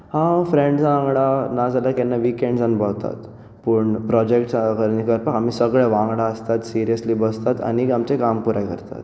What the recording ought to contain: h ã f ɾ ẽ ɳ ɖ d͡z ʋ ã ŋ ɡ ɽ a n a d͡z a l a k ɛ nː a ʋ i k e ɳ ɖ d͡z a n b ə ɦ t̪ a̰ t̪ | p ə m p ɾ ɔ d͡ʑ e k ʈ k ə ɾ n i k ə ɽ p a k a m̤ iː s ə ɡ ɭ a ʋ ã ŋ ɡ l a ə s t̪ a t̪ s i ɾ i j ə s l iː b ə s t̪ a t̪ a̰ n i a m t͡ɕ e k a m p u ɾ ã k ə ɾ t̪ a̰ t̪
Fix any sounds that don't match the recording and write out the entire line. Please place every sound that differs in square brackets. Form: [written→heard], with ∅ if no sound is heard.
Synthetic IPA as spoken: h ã f ɾ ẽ ɳ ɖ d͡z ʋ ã ŋ ɡ ɽ a n a d͡z a l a k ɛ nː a ʋ i k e ɳ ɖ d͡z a n b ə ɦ t̪ a̰ t̪ | p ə [m→ɳ] p ɾ ɔ d͡ʑ e k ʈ k ə ɾ n i k ə [ɽ→ɾ] p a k a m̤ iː s ə ɡ ɭ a ʋ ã ŋ ɡ [l→ɽ] a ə s t̪ a t̪ s i ɾ i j ə s l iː b ə s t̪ a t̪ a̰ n i a m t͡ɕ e k a m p u ɾ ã k ə ɾ t̪ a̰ t̪